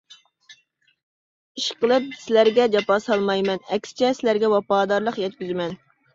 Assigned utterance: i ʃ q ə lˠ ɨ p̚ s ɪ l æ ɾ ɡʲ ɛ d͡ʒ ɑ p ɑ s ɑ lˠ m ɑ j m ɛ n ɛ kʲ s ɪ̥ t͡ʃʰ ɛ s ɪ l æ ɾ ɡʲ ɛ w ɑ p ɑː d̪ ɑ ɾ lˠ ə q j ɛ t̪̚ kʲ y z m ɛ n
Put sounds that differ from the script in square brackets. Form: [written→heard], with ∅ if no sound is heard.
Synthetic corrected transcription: i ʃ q ə lˠ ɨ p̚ s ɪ l æ ɾ ɡʲ ɛ d͡ʒ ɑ p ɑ s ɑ lˠ m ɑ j m ɛ n ɛ kʲ s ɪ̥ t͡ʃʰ ɛ s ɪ l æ ɾ ɡʲ ɛ w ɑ p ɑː d̪ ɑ ɾ lˠ ə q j ɛ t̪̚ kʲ y z m ɛ n